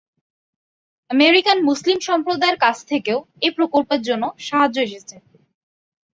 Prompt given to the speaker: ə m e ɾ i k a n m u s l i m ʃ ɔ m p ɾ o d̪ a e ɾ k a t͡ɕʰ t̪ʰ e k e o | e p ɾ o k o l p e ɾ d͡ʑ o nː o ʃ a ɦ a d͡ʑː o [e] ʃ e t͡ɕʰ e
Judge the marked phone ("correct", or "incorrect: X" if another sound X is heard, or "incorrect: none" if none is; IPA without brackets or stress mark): correct